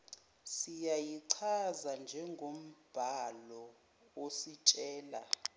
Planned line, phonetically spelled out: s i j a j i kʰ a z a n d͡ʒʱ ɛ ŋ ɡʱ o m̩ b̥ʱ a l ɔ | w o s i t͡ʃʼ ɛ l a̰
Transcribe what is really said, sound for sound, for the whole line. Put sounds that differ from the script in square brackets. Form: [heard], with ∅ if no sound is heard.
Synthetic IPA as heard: s i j a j i [ǀʰ] a z a n d͡ʒʱ ɛ ŋ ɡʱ o m̩ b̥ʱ a l ɔ | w o s i t͡ʃʼ [ɛː] l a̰